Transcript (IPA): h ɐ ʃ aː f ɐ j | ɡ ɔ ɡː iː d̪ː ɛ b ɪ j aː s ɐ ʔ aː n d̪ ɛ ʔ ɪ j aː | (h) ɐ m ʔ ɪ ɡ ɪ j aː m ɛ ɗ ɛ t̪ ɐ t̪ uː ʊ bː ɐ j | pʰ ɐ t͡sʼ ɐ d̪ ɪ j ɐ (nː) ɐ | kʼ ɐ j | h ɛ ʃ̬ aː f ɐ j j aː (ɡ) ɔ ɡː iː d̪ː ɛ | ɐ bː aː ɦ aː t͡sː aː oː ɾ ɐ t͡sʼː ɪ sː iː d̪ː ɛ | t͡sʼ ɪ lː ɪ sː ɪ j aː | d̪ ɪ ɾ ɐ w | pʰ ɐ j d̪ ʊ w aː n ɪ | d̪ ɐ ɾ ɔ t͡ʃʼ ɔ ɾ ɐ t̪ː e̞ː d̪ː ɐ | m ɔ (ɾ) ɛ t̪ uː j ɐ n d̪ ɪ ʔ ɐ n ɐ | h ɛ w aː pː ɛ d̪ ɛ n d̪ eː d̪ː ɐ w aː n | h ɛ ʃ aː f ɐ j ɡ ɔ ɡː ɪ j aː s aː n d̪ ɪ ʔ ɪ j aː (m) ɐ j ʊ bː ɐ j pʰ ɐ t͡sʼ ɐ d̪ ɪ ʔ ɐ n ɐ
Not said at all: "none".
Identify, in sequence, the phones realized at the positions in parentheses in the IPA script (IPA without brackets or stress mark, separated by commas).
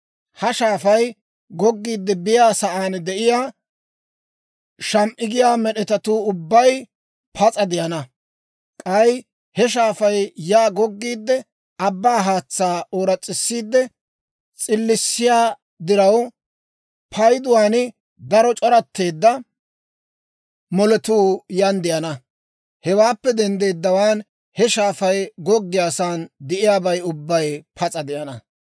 ʃ, n, ɡ, l, b